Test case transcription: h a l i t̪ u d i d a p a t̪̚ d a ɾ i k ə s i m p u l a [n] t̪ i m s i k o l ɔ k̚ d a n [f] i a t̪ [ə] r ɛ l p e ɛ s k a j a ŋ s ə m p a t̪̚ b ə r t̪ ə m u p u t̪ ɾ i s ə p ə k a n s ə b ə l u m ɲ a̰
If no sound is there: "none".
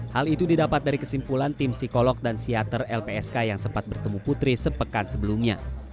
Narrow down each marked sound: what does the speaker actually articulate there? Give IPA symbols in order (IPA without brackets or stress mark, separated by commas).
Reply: n, s, ə